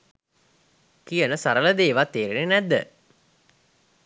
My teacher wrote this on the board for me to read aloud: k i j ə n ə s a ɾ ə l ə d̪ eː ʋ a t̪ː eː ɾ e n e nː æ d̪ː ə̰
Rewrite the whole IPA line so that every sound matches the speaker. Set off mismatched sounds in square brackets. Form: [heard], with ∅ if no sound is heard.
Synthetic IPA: k i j ə n ə s a ɾ ə l ə d̪ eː ʋ a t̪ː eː ɾ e n e [n] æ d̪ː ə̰